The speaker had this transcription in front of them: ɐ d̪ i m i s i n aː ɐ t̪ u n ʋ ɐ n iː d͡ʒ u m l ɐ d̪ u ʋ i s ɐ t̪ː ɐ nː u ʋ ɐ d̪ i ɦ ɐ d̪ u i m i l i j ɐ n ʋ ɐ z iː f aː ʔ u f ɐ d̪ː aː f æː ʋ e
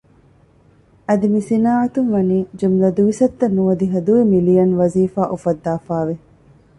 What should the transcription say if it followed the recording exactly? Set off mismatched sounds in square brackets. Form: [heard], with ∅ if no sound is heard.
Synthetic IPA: ɐ d̪ i m i s i n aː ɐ t̪ u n ʋ ɐ n iː d͡ʒ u m l ɐ d̪ u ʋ i s ɐ t̪ː ɐ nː u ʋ ɐ d̪ i ɦ ɐ d̪ u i m i l i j ɐ n ʋ ɐ z iː f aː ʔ u f ɐ d̪ː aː f [aː] ʋ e